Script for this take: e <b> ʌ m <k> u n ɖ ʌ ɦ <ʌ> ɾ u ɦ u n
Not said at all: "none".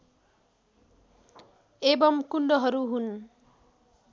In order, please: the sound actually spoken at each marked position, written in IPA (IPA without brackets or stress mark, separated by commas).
b, k, ʌ